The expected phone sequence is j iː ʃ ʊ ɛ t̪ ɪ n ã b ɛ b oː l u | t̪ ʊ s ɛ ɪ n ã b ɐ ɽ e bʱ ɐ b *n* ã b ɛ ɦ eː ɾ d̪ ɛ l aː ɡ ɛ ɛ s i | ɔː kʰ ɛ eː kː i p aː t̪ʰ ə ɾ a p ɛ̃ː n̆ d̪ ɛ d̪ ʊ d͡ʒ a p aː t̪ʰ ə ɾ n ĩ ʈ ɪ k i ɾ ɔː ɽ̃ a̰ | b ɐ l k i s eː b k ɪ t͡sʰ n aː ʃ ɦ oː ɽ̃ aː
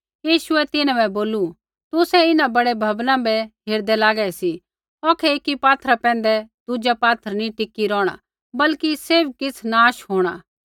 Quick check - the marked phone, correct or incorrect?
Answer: correct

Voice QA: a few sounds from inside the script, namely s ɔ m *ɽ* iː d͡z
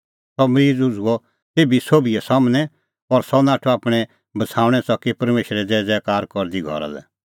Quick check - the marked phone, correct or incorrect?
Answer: incorrect: ɾ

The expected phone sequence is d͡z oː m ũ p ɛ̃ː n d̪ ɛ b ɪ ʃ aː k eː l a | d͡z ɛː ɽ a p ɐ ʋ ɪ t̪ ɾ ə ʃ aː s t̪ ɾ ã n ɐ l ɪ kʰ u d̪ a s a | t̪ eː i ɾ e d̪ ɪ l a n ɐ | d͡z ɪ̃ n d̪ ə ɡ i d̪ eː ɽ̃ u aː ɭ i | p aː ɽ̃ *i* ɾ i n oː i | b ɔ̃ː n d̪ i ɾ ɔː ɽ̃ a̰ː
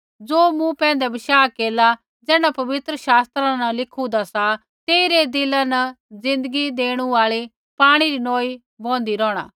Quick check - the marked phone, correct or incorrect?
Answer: correct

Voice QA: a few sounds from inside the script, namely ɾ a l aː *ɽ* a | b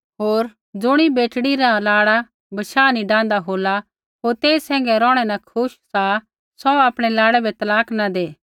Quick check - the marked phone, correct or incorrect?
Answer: correct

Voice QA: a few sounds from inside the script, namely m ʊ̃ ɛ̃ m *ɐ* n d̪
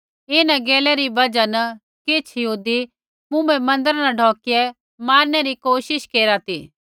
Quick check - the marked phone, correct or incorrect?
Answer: incorrect: ɐ̃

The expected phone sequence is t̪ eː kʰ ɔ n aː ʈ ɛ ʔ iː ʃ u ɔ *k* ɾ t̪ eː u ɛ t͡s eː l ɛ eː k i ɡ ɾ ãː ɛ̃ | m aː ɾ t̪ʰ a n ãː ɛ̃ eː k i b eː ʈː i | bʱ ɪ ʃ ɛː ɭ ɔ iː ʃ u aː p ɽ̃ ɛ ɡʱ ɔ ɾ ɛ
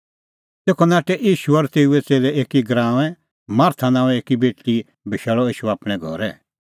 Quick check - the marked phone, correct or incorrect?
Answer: incorrect: none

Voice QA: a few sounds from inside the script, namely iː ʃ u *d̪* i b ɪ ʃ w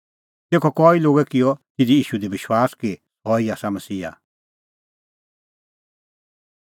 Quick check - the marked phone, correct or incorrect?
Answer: correct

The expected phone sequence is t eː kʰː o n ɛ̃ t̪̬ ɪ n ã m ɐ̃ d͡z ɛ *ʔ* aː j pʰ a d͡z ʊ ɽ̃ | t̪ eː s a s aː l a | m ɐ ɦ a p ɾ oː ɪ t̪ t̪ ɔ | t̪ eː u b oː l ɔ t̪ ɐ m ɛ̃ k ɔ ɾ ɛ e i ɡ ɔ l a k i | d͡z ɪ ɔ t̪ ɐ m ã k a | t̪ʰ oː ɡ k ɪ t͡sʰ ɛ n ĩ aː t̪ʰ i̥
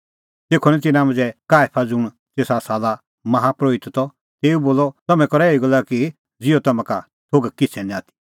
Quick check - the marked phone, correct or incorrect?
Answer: incorrect: k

